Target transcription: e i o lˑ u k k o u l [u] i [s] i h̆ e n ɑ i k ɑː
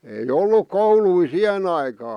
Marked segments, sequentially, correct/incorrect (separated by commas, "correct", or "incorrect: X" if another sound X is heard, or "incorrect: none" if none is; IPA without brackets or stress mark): correct, correct